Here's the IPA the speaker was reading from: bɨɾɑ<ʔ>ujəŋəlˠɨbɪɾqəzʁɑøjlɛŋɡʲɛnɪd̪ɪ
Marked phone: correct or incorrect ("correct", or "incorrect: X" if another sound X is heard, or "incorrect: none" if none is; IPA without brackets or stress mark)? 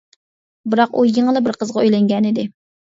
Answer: incorrect: q